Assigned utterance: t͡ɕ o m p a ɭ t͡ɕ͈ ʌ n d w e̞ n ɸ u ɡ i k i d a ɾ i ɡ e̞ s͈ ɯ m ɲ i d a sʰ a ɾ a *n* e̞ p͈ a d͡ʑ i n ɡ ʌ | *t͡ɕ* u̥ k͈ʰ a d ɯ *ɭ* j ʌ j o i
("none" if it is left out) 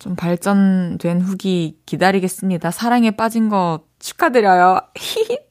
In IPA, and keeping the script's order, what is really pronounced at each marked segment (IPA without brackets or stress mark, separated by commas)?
ŋ, t͡ɕʰ, ɾ